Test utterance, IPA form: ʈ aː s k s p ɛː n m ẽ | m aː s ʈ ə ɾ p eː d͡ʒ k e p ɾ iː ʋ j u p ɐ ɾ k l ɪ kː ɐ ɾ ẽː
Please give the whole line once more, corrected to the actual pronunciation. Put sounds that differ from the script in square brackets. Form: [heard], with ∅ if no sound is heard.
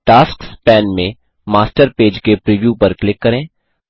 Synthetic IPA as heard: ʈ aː s k s p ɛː n m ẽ | m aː s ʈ ə ɾ p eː d͡ʒ k e p ɾ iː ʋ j u p ɐ ɾ k l ɪ kː ɐ ɾ ẽː